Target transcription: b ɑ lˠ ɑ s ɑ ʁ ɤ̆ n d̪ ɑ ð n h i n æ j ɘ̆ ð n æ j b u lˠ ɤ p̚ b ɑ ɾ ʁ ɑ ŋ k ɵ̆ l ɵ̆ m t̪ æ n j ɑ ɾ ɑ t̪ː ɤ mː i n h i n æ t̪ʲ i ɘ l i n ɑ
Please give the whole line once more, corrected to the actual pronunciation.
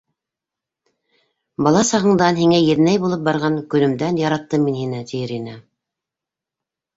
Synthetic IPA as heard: b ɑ lˠ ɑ s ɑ ʁ ɤ̆ ɴ d̪ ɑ n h i ŋ æ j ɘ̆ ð n æ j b u lˠ ɤ p̚ b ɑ ɾ ʁ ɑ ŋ k ɵ̆ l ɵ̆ m d̪ æ n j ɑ ɾ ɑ t̪ː ɤ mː i n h i n æ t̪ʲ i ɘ ɾ i n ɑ